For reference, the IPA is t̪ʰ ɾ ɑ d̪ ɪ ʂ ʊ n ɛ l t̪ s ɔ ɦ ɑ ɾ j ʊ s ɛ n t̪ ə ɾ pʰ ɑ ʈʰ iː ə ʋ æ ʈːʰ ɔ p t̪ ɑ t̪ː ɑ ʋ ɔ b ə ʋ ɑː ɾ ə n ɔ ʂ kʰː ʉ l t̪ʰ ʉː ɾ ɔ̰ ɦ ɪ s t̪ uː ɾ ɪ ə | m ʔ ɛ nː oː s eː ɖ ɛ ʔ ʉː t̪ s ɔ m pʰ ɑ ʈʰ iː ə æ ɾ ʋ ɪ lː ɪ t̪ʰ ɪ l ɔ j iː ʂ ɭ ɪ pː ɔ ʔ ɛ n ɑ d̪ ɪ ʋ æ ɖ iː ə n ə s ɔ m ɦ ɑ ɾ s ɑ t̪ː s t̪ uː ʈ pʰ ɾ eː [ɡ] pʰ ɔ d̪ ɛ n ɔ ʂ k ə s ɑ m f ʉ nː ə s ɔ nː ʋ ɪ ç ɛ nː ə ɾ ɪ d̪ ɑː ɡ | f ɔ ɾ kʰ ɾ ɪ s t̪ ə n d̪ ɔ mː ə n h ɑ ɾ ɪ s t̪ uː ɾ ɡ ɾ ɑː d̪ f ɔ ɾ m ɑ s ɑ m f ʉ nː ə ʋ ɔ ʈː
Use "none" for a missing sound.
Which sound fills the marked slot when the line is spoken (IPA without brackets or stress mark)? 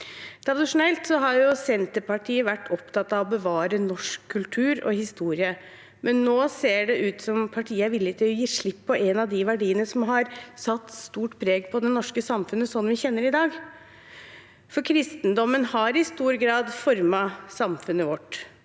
ɡ